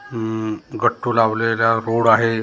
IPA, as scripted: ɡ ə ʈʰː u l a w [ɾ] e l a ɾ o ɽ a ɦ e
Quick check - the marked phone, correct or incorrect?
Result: incorrect